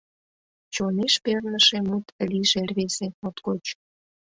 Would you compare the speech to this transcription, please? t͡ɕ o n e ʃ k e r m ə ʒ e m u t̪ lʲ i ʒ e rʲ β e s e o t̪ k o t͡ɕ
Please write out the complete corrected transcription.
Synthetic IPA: t͡ɕ o n e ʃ p e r n ə ʃ e m u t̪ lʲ i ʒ e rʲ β e s e o t̪ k o t͡ɕ